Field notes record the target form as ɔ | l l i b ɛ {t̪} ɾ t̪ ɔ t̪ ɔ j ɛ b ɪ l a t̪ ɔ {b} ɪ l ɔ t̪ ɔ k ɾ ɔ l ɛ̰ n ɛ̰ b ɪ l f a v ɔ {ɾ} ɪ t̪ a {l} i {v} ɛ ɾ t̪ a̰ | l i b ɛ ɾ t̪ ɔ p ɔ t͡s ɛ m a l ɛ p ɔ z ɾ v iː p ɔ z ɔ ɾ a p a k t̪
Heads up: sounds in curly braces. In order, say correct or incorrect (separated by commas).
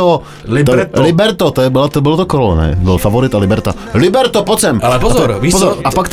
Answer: incorrect, correct, correct, correct, incorrect